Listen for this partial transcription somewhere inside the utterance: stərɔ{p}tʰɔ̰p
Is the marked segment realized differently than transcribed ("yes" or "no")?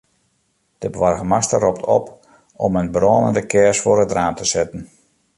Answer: no